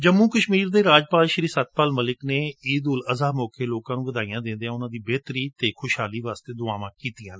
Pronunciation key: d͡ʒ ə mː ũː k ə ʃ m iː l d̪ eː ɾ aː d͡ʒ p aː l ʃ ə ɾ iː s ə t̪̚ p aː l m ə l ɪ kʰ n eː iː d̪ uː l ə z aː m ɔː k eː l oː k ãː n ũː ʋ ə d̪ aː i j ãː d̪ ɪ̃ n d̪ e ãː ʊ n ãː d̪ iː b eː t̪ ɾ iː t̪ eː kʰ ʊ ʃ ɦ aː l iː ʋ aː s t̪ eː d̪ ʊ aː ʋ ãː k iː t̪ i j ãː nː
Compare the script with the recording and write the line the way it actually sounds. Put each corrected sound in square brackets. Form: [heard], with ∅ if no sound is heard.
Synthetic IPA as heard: d͡ʒ ə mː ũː k ə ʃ m iː [ɾ] d̪ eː ɾ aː d͡ʒ p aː l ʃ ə ɾ iː s ə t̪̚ p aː l m ə l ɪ [k] n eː iː d̪ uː l ə z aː m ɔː k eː l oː k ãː n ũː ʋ ə d̪ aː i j ãː d̪ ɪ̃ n d̪ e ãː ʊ n ãː d̪ iː b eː t̪ ɾ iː t̪ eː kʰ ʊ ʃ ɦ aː l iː ʋ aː s t̪ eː d̪ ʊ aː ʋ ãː k iː t̪ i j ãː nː